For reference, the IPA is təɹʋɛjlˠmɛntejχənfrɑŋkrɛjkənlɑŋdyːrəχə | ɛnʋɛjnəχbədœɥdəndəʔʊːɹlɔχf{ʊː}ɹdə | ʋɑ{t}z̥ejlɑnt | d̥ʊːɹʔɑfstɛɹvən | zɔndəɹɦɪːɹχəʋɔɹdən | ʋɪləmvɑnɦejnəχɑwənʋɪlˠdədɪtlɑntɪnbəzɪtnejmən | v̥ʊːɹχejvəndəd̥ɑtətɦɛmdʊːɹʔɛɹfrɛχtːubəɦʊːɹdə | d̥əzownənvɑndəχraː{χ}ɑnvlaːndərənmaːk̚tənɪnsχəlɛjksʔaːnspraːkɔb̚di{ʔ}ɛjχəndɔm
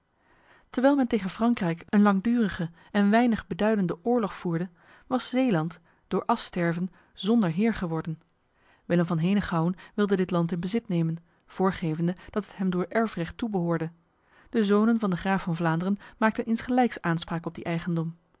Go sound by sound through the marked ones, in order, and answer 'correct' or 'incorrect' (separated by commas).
incorrect, incorrect, incorrect, correct